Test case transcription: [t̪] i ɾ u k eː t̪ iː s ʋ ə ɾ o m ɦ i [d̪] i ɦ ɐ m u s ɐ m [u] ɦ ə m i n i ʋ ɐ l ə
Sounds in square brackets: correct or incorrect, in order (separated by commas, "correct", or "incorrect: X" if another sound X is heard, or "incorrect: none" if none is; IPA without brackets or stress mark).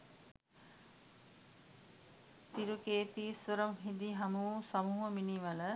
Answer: correct, correct, incorrect: uː